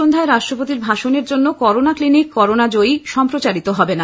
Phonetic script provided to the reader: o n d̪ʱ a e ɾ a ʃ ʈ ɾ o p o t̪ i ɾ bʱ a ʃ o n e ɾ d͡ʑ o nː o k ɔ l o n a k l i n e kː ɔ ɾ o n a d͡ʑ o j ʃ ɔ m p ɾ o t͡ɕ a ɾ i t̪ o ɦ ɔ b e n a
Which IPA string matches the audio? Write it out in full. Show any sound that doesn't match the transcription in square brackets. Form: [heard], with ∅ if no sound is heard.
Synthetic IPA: o n d̪ʱ a e ɾ a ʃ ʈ ɾ o p o t̪ i ɾ bʱ a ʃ o n e ɾ d͡ʑ o nː o k ɔ [ɾ] o n a k l i n [i] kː ɔ ɾ o n a d͡ʑ o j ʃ ɔ m p ɾ o t͡ɕ a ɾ i t̪ o ɦ ɔ b e n a